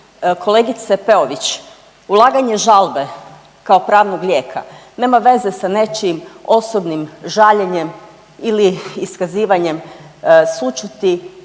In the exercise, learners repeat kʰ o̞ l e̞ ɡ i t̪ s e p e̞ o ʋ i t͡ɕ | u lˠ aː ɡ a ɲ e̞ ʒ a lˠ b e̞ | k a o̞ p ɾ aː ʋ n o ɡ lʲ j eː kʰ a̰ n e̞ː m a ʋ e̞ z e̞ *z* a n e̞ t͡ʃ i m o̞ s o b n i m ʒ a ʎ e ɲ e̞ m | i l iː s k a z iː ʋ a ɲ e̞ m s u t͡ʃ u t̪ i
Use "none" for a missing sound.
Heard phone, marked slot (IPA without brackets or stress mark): s